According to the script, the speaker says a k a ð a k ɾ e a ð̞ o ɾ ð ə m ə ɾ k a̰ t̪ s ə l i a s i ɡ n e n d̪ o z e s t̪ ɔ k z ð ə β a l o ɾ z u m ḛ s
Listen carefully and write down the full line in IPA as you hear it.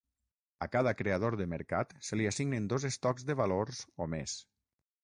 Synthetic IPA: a k a ð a k ɾ e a ð̞ o ɾ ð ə m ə ɾ k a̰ t̪ s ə l i a s i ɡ n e n d̪ o z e s t̪ ɔ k z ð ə β a l o ɾ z o m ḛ s